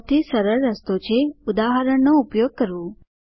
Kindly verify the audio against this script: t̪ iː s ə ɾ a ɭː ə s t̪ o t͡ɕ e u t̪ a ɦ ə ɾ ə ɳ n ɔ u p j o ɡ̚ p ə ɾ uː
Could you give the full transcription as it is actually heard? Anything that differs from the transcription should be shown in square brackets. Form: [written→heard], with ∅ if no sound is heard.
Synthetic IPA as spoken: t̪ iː s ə ɾ [a→ə] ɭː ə s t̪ o t͡ɕ e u [t̪→d̪] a ɦ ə ɾ ə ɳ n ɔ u p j o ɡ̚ [p→k] ə ɾ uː